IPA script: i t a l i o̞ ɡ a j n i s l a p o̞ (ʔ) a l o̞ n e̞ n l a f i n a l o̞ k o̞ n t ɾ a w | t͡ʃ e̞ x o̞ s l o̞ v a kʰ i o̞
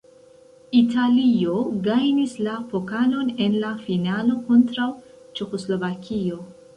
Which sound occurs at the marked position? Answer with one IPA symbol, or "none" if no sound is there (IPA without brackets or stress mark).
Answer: k